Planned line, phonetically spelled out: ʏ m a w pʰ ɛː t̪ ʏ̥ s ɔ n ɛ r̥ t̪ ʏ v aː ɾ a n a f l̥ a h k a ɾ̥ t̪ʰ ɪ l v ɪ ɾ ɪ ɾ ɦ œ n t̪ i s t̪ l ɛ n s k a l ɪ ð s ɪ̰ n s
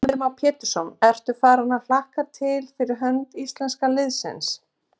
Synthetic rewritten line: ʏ m a w pʰ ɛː t̪ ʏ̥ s ɔ n ɛ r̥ t̪ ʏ f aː ɾ a n a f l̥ a h k a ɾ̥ t̪ʰ ɪ l f ɪ ɾ ɪ ɾ ɦ œ n t̪ i s t̪ l ɛ n s k a l ɪ ð s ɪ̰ n s